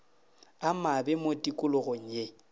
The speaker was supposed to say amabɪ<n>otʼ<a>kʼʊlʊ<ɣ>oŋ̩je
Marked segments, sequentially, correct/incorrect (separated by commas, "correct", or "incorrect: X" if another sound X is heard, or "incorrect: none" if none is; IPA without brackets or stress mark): incorrect: m, incorrect: i, correct